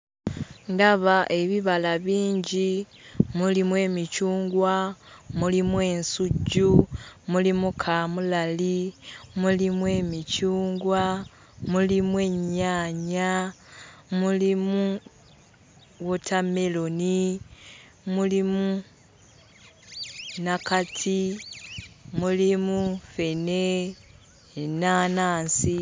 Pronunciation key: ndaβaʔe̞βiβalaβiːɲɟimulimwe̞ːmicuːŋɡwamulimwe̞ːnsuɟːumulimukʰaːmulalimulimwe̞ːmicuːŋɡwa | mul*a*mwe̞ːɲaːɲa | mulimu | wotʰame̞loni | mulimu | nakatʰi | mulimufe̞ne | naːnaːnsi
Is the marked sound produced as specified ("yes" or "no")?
no